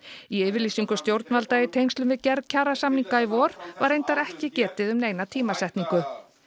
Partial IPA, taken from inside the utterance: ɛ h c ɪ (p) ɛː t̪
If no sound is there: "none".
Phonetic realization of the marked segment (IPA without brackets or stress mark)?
c